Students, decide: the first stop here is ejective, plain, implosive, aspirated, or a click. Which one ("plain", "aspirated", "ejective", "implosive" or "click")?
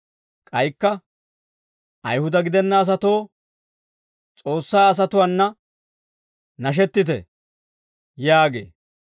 ejective